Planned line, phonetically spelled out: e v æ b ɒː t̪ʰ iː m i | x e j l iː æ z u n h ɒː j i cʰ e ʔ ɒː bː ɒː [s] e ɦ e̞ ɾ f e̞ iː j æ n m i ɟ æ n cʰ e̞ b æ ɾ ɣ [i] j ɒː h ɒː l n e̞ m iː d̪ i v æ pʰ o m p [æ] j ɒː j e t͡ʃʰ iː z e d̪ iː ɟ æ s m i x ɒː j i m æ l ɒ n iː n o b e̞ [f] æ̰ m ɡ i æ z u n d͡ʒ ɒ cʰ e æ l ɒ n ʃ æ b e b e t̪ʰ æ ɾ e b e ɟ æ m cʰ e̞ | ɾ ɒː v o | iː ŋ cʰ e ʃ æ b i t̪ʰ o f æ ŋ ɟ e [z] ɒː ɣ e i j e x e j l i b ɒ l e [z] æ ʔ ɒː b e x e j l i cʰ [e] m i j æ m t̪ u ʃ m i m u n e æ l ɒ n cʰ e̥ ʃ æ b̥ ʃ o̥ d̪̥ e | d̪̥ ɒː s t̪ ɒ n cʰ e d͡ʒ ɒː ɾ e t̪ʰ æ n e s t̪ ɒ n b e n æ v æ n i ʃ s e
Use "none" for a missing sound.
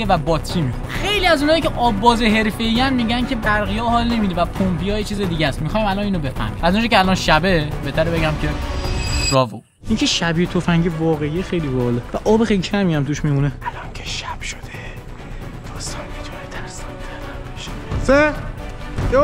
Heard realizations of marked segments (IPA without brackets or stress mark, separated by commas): z, i, i, f, v, v, æ